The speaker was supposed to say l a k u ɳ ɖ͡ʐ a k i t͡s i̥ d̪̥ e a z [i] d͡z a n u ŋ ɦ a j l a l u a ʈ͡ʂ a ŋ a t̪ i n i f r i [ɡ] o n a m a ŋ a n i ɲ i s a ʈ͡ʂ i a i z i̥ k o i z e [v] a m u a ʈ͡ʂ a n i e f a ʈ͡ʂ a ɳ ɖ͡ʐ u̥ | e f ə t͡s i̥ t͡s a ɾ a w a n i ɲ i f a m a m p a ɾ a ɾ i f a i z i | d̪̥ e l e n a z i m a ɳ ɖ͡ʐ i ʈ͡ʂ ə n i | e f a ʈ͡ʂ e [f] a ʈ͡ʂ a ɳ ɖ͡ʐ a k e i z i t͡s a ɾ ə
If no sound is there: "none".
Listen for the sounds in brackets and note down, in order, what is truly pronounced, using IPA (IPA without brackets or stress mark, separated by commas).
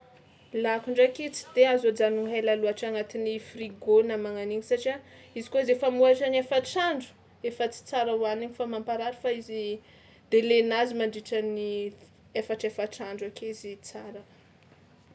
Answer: a, ɡ, f, f